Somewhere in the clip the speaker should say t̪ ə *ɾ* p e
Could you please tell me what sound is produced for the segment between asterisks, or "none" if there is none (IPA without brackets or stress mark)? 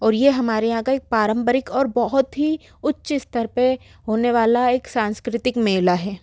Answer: ɾ